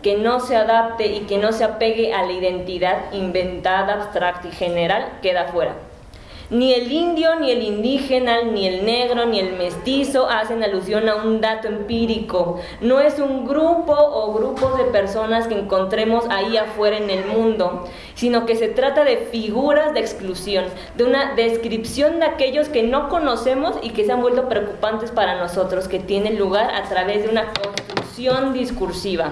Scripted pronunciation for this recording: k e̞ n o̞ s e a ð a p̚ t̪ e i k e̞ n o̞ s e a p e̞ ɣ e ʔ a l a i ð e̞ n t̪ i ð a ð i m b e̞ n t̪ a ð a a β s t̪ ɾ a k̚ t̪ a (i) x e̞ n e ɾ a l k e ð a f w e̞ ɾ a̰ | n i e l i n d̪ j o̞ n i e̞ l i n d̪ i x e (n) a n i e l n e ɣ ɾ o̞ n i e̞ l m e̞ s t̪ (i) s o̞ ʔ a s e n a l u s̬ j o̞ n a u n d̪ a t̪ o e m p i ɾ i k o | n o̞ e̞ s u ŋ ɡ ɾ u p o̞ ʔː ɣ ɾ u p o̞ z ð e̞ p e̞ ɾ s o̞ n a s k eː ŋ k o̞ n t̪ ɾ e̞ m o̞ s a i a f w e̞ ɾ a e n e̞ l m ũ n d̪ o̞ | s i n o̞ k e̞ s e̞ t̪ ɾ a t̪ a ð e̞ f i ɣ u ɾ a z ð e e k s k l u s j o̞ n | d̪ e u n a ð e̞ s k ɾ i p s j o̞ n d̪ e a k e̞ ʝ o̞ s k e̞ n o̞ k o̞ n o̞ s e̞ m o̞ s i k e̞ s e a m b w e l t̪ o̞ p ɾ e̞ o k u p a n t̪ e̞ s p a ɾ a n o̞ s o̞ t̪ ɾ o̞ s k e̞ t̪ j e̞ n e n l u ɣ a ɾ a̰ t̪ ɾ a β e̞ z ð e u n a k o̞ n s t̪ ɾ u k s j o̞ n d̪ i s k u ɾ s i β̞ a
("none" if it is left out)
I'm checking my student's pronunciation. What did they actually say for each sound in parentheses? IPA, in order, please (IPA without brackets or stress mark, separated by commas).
i, n, i